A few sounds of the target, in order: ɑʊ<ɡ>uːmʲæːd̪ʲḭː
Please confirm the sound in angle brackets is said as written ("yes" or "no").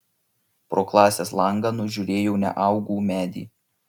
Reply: yes